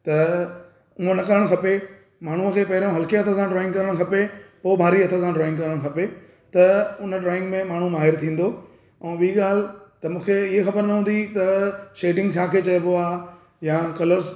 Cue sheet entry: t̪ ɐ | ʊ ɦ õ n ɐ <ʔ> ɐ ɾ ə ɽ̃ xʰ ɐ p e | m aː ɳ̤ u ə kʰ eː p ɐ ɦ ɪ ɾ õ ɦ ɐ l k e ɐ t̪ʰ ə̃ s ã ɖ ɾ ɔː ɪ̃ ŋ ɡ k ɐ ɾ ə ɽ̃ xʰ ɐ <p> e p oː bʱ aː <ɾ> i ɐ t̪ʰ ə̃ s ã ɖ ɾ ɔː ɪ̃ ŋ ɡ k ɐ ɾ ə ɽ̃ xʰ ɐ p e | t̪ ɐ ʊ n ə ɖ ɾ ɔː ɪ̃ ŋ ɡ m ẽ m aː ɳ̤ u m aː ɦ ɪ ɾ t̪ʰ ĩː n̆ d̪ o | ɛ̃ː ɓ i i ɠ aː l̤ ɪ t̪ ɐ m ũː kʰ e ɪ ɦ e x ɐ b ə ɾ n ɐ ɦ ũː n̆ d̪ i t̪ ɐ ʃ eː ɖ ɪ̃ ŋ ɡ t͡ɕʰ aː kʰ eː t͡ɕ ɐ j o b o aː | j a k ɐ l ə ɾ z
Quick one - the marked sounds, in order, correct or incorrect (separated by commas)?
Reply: incorrect, correct, correct